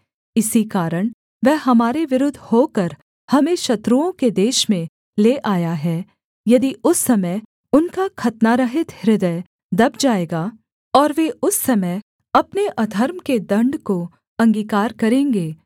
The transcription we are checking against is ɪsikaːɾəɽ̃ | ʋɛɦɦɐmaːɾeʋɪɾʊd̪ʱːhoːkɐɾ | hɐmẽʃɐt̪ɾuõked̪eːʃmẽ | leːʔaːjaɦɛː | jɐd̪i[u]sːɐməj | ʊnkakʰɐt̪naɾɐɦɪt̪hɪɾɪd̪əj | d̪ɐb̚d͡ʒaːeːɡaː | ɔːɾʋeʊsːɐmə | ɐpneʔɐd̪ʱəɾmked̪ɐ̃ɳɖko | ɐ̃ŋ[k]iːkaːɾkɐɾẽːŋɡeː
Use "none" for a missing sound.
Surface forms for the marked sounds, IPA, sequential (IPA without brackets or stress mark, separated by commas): ʊ, ɡ